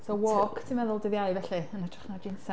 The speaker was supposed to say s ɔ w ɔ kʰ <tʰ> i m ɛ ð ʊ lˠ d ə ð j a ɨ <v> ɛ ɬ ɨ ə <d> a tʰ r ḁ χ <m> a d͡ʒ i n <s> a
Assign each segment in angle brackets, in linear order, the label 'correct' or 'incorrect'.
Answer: correct, correct, incorrect: n, incorrect: n, correct

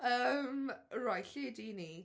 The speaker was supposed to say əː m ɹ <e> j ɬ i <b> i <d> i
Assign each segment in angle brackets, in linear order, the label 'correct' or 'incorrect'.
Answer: incorrect: a, incorrect: d, incorrect: n

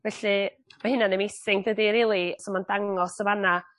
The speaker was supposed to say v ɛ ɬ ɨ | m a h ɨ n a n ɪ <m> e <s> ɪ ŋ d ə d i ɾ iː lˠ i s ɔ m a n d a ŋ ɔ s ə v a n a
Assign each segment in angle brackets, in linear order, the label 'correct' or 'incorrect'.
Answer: correct, correct

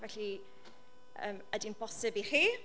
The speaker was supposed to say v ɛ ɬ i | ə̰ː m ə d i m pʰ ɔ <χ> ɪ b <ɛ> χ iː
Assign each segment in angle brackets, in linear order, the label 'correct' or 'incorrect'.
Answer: incorrect: s, incorrect: i

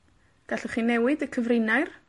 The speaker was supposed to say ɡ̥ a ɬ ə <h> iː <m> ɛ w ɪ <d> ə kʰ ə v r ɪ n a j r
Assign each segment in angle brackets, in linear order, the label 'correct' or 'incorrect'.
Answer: incorrect: χ, incorrect: n, correct

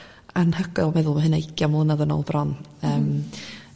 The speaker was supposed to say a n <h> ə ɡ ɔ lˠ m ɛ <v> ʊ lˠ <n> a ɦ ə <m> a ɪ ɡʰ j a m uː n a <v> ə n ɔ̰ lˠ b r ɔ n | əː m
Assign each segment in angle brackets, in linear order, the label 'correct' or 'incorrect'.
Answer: correct, incorrect: ð, incorrect: m, incorrect: n, incorrect: ð

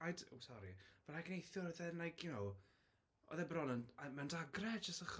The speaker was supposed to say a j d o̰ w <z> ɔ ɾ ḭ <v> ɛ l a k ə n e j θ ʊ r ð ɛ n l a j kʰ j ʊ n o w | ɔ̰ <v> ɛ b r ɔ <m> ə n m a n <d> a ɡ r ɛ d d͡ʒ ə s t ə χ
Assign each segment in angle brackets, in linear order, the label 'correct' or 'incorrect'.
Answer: incorrect: s, correct, incorrect: ð, incorrect: n, correct

